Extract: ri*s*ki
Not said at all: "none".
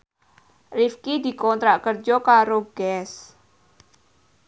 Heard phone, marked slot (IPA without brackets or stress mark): f